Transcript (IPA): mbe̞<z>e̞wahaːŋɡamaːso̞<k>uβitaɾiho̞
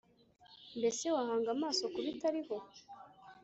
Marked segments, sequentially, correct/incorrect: incorrect, correct

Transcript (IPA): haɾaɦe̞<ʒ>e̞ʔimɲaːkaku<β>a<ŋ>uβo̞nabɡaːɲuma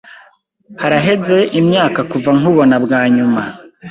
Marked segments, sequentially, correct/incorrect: incorrect, incorrect, correct

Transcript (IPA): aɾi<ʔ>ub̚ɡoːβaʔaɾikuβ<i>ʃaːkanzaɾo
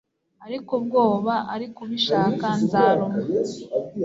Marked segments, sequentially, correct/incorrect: incorrect, correct

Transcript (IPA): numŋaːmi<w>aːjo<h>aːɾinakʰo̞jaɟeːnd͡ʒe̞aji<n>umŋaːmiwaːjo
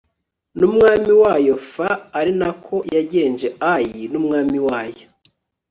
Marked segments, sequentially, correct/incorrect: correct, incorrect, correct

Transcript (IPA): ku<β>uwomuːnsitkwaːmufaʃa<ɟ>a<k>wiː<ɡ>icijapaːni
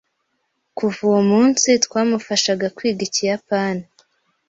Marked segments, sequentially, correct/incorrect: incorrect, incorrect, correct, correct

